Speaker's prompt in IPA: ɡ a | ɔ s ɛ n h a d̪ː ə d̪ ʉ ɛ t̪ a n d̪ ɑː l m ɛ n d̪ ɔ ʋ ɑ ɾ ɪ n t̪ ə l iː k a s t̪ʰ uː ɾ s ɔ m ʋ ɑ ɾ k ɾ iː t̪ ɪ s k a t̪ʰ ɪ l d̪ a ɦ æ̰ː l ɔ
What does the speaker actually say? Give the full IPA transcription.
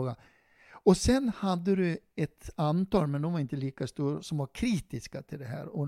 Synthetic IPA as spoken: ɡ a | ɔ s ɛ n h a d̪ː ə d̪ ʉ ɛ t̪ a n t̪ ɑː l m ɛ n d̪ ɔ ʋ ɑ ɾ ɪ n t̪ ə l iː k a s t̪ uː ɾ s ɔ m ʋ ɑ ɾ kʰ ɾ iː t̪ ɪ s k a t̪ʰ ɪ l d̪ ɛ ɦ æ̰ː ɾ ɔ